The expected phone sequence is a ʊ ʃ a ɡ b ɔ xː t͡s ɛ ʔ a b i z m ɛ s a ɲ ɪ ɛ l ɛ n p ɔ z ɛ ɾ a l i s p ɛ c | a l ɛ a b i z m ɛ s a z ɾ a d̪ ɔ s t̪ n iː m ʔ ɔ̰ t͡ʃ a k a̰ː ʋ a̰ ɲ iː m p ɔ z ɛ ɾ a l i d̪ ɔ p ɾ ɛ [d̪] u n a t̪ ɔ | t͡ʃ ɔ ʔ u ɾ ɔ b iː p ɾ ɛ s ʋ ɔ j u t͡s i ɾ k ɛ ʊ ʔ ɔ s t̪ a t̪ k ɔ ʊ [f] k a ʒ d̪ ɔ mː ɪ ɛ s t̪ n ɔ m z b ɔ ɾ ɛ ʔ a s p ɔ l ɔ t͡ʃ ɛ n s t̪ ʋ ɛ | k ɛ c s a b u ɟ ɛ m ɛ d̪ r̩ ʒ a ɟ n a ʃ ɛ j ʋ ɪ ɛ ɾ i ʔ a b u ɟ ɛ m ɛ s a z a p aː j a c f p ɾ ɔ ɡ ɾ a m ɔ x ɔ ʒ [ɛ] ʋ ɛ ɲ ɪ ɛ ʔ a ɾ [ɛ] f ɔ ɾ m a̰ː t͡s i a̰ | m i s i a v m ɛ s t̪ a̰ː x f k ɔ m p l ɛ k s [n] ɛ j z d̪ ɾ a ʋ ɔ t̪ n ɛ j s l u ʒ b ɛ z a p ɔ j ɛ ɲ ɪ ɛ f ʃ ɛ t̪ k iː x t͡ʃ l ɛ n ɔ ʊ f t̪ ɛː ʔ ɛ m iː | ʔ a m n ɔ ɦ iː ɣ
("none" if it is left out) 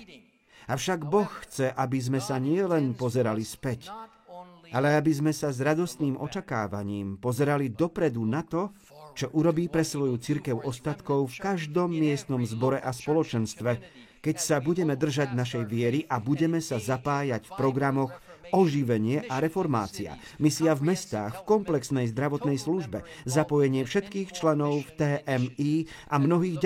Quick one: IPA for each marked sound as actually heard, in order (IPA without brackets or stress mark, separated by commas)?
d̪, f, i, ɛ, n